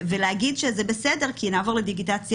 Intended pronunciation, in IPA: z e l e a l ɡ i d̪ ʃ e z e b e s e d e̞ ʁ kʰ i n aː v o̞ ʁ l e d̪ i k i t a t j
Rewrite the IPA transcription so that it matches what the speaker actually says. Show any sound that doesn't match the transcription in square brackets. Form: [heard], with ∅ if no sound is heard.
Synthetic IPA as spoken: [v] e l e a [∅] ɡ i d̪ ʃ e z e b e s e d e̞ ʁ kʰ i n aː v o̞ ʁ l e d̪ i [ɡ] i t a [t͡s] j